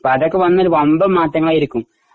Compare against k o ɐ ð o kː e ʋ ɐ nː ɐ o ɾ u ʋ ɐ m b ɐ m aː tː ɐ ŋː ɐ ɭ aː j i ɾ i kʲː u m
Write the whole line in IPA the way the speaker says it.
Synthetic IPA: p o ɐ ð o kː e ʋ ɐ nː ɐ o ɾ u ʋ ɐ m b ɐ m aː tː ɐ ŋː ɐ ɭ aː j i ɾ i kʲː u m